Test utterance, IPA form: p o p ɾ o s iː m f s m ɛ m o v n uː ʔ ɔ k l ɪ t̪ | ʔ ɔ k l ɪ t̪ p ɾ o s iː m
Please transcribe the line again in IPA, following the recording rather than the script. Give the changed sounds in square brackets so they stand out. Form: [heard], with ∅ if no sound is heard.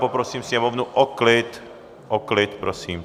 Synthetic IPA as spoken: p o p ɾ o s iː m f s [ɲ] ɛ m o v n [u] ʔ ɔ k l ɪ t̪ | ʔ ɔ k l ɪ t̪ p ɾ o s iː m